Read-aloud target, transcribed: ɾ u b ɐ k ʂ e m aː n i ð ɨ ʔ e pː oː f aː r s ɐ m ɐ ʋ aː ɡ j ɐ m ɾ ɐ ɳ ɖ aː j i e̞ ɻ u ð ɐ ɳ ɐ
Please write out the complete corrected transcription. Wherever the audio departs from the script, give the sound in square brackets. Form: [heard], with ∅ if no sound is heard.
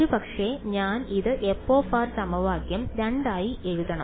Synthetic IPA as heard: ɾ u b ɐ k ʂ e [ɲ] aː n i ð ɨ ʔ e pː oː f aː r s ɐ m ɐ ʋ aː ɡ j ɐ m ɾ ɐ ɳ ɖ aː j i e̞ ɻ u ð ɐ ɳ ɐ